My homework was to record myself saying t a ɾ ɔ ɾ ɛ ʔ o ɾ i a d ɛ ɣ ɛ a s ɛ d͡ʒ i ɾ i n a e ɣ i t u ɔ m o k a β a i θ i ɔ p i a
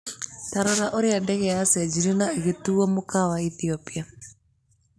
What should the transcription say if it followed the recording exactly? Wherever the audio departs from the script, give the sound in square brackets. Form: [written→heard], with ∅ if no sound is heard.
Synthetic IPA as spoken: t a ɾ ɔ ɾ [ɛ→a] ʔ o ɾ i a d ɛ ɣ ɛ a s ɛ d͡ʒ i ɾ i n a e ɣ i t u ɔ m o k a [β→w] a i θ i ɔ p i a